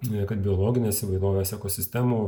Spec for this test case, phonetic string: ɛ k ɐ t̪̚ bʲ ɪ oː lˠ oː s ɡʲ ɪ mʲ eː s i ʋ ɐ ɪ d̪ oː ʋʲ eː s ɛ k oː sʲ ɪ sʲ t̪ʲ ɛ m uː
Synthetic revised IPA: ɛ k ɐ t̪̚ bʲ ɪ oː lˠ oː ɡʲ ɪ nʲ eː s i ʋ ɐ ɪ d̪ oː ʋʲ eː s ɛ k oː sʲ ɪ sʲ t̪ʲ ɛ m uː